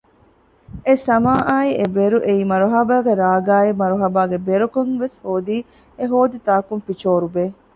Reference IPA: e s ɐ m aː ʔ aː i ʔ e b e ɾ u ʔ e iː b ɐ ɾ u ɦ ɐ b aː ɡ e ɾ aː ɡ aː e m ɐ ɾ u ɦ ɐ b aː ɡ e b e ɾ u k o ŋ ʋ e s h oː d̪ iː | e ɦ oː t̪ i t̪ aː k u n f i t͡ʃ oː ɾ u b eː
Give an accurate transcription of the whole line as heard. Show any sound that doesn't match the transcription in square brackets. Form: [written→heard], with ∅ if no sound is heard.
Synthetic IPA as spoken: e s ɐ m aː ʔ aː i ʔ e b e ɾ u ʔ e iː [b→m] ɐ ɾ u ɦ ɐ b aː ɡ e ɾ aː ɡ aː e m ɐ ɾ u ɦ ɐ b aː ɡ e b e ɾ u k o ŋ ʋ e s h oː d̪ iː | e ɦ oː [t̪→d̪] i t̪ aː k u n f i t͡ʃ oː ɾ u b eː